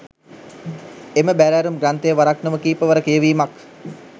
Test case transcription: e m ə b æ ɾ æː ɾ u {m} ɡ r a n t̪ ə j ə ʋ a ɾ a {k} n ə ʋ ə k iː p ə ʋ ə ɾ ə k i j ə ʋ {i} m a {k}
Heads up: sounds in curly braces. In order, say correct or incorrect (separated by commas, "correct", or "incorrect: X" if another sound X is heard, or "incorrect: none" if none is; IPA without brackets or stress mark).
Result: correct, correct, incorrect: iː, correct